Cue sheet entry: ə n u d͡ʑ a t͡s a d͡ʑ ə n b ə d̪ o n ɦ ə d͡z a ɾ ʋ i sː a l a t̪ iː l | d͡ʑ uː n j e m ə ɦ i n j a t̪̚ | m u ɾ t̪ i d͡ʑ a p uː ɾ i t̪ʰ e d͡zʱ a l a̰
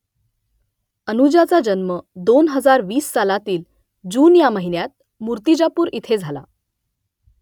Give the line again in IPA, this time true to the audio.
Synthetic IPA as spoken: ə n u d͡ʑ a t͡s a d͡ʑ ə n m ə d̪ o n ɦ ə d͡z a ɾ ʋ iː sː a l a t̪ iː l | d͡ʑ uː n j a m ə ɦ i n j a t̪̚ | m u ɾ t̪ i d͡ʑ a p uː ɾ i t̪ʰ e d͡zʱ a l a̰